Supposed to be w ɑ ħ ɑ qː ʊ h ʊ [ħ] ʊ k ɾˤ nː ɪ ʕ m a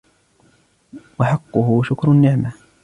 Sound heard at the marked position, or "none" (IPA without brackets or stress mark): ʃ